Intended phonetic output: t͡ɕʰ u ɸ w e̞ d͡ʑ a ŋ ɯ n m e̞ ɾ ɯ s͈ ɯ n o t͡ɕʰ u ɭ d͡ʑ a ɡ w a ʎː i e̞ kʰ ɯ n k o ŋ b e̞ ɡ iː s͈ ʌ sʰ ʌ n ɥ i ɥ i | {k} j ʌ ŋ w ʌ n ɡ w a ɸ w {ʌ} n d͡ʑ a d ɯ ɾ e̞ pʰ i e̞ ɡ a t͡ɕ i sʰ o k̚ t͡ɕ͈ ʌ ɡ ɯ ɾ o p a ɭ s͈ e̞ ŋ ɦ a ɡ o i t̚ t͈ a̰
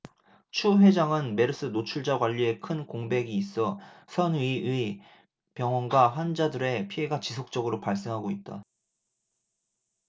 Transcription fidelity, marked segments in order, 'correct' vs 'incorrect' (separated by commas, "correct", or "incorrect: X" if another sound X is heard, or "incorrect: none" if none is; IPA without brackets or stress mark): incorrect: p, incorrect: a